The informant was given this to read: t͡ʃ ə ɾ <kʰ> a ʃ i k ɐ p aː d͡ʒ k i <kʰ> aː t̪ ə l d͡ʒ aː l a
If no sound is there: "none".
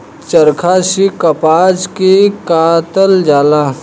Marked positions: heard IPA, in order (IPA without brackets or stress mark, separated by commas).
kʰ, k